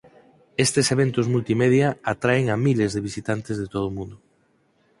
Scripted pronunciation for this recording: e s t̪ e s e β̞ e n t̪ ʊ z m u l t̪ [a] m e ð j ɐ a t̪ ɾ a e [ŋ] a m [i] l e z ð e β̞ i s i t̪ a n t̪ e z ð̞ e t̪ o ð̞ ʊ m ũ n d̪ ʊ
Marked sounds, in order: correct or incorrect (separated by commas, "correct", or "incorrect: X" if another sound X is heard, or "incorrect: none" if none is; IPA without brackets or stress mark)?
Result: incorrect: i, correct, correct